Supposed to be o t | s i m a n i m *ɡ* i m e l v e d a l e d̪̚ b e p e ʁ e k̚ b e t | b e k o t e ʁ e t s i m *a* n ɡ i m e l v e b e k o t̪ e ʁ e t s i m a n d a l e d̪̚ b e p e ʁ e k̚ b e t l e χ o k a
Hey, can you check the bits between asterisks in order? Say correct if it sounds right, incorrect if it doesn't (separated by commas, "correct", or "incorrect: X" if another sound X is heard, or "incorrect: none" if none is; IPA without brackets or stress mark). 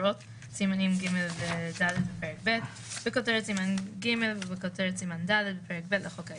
correct, correct